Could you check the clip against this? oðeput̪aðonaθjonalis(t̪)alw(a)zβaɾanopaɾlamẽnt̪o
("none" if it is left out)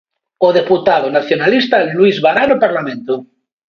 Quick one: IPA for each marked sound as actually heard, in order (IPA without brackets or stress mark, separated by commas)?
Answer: t̪, i